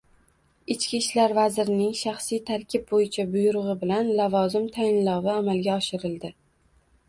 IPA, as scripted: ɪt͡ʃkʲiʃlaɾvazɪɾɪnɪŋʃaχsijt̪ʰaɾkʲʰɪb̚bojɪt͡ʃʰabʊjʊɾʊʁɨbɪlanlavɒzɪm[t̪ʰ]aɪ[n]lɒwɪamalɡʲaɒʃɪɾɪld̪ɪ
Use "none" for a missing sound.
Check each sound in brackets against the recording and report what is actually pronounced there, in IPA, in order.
t̪ʰ, n

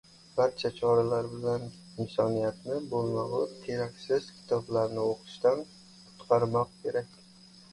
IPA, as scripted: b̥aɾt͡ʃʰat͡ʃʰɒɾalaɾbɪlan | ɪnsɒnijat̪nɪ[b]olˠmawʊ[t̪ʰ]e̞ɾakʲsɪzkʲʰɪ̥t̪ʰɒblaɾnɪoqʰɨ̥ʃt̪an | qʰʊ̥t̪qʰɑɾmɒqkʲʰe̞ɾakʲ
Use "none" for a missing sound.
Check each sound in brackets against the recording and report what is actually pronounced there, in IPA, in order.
b, t̪ʰ

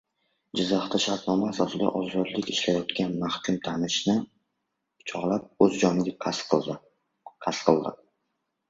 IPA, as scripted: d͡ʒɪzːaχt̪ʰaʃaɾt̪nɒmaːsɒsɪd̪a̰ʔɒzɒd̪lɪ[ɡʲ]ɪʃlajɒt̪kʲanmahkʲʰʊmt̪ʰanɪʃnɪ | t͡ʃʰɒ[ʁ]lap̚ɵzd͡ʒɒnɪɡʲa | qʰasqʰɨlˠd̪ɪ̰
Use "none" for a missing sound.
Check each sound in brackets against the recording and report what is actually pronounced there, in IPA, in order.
kʲ, ʁ

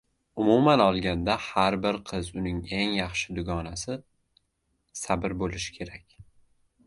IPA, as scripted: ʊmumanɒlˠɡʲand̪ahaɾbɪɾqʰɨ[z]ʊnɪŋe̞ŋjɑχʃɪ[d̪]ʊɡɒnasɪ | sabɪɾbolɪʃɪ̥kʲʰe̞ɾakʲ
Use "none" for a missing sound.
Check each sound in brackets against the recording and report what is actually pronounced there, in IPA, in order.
z, d̪

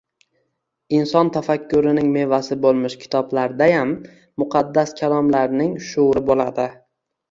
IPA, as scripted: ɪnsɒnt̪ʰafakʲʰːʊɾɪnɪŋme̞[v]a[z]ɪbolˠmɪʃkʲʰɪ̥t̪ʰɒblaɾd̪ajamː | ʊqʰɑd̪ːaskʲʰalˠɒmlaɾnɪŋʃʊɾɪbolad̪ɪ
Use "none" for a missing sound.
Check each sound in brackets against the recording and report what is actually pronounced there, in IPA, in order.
v, s

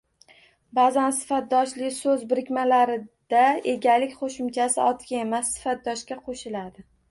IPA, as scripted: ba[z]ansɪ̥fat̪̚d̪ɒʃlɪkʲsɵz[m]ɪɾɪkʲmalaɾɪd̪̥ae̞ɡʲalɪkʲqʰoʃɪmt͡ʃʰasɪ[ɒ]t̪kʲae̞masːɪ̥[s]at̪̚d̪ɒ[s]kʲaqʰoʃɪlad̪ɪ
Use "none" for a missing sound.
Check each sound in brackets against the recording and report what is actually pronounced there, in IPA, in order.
z, b, ɒ, f, ʃ

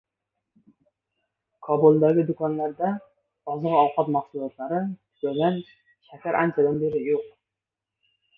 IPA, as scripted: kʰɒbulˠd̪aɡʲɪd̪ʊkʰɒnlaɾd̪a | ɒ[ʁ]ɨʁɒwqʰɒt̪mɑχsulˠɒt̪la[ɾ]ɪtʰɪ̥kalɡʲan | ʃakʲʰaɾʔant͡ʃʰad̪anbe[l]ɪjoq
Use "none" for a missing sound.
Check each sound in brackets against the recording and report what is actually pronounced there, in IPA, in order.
z, ɾ, ɾ

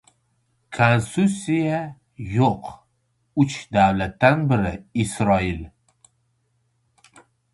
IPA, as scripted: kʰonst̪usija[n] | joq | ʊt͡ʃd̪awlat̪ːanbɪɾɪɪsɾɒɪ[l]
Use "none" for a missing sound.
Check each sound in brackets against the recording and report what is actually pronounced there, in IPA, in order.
none, l

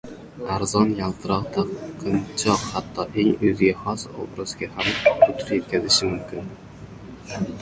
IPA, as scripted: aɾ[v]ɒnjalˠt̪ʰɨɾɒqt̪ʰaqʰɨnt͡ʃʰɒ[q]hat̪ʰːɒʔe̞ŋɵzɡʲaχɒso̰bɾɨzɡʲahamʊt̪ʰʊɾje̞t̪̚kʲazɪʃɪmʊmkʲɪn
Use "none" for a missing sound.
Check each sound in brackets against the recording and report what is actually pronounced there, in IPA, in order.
z, q

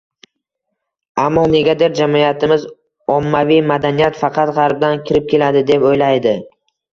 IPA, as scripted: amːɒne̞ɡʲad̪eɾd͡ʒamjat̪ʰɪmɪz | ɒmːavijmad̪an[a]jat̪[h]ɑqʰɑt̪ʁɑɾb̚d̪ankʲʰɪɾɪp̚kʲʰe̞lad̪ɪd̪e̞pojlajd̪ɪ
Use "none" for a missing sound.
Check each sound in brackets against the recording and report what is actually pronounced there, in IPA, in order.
i, f

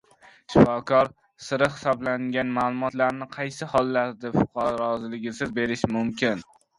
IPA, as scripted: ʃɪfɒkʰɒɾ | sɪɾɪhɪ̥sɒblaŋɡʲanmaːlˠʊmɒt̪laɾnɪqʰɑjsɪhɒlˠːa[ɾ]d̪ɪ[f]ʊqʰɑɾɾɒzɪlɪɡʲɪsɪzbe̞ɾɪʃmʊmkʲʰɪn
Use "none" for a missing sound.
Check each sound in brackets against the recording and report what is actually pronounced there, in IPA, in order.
ɾ, f

